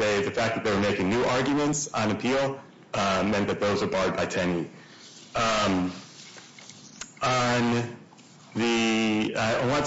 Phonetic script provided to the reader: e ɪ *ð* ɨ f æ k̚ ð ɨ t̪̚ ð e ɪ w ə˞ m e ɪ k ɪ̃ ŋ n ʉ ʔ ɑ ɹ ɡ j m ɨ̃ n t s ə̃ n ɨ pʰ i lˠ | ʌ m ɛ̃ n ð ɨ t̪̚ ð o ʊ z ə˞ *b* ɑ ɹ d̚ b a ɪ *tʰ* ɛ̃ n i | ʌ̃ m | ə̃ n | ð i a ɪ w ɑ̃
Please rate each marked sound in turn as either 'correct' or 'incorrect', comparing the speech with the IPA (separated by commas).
correct, correct, correct